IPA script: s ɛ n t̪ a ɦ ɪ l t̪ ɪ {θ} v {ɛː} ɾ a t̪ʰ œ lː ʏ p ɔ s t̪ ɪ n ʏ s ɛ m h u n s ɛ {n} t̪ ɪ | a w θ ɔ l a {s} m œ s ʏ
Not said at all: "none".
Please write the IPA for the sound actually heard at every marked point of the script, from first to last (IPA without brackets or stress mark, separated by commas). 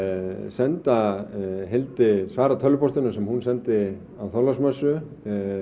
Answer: s, aː, n, s